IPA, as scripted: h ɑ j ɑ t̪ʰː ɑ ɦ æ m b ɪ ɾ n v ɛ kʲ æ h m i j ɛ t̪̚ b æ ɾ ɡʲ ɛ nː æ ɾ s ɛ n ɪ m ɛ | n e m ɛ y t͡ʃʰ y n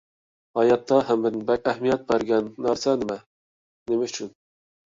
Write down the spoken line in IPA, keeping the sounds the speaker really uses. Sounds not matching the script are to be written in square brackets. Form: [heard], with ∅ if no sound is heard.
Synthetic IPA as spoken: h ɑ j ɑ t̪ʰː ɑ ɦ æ m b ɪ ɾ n [b] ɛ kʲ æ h m i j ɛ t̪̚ b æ ɾ ɡʲ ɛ nː æ ɾ s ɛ n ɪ m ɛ | n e m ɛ y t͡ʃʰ y n